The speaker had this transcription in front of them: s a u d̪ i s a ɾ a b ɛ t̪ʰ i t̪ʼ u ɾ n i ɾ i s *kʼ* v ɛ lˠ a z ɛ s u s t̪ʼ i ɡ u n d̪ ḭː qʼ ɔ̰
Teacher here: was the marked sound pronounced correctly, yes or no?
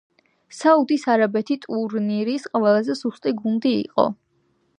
no